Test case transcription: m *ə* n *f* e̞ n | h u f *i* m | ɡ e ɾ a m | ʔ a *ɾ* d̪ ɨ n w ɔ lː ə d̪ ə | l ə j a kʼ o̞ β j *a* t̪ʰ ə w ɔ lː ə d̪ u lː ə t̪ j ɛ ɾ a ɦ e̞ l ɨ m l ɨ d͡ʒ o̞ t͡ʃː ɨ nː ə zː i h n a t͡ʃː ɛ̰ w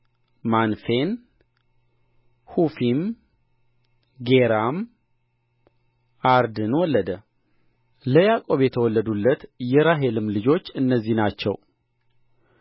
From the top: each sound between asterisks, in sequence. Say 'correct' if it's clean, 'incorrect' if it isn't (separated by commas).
incorrect, correct, correct, correct, incorrect